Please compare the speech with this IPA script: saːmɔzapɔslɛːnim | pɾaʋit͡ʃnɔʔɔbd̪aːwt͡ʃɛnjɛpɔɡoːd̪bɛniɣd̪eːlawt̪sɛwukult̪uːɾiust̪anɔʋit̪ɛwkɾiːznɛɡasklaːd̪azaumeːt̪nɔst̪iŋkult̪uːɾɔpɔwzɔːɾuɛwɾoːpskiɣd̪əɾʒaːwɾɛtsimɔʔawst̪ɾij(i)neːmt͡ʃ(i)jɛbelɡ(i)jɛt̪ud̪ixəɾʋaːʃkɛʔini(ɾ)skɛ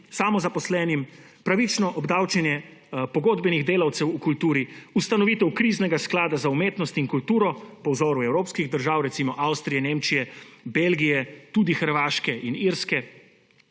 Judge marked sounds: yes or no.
no, yes, yes, yes

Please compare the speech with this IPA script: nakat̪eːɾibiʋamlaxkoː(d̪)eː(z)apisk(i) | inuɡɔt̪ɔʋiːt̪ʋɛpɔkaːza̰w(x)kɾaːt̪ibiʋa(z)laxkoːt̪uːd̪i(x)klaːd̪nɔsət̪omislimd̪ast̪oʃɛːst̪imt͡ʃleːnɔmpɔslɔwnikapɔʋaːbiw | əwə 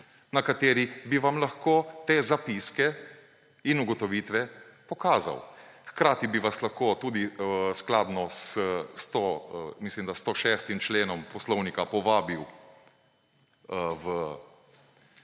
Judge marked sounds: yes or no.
no, yes, no, yes, no, no

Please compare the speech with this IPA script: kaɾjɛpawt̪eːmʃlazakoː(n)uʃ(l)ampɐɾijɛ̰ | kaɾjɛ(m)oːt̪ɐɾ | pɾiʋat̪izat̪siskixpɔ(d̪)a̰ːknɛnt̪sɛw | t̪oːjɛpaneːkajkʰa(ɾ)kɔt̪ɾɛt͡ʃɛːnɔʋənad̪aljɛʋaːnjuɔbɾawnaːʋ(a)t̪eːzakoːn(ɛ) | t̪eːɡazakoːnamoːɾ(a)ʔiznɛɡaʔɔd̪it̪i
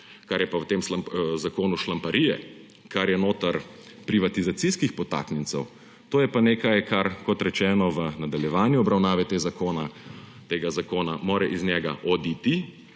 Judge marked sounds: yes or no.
yes, yes, no, no, yes, no, no, no

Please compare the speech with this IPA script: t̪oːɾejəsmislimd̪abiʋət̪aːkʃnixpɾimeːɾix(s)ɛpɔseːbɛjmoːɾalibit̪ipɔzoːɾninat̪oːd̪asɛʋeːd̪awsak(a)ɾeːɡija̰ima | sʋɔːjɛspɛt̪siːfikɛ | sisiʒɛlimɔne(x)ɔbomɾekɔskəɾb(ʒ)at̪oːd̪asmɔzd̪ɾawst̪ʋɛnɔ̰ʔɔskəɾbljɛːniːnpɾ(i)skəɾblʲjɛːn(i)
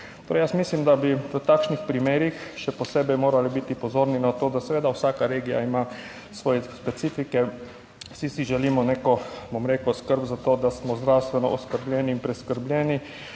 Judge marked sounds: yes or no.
no, yes, no, no, no, yes

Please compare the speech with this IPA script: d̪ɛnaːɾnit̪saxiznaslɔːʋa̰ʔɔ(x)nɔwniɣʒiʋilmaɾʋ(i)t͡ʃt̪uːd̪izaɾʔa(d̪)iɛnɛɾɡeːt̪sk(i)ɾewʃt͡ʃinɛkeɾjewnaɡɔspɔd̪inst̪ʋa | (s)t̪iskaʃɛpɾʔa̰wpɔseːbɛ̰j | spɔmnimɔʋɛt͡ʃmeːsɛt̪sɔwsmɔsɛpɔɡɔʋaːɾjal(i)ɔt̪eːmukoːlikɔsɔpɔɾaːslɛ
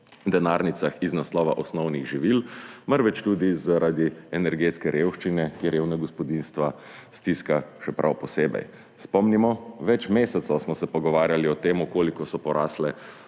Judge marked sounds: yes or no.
no, no, yes, no, yes, yes

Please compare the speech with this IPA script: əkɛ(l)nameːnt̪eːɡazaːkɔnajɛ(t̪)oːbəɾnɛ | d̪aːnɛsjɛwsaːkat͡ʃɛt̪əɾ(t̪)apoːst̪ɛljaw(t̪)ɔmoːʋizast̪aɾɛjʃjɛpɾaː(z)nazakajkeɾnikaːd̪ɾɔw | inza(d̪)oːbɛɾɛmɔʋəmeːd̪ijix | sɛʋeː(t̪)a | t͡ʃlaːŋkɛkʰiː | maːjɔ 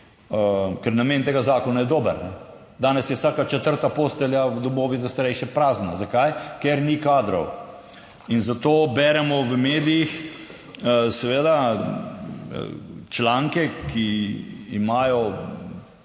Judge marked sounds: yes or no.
no, no, yes, no, yes, no, no

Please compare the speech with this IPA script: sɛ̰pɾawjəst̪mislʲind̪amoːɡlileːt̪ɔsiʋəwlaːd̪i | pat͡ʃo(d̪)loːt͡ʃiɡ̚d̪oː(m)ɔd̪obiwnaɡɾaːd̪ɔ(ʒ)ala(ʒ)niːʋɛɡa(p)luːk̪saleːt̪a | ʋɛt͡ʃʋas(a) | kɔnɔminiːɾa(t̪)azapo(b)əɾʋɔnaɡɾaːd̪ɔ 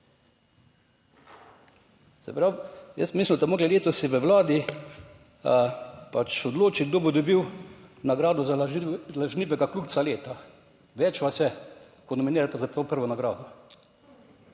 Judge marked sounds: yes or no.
yes, no, no, yes, no, no, yes, no

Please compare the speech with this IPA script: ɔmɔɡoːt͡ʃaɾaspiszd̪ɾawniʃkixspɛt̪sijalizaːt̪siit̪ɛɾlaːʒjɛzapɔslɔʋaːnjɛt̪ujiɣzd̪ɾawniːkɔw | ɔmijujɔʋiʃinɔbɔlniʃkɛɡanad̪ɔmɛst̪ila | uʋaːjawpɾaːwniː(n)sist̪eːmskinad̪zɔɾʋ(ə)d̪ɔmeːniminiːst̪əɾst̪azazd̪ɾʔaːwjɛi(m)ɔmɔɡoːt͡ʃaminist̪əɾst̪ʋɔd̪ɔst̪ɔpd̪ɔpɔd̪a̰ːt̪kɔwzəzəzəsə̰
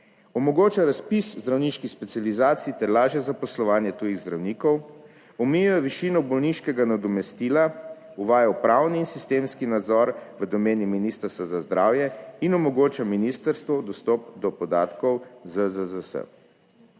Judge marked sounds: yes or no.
yes, yes, no

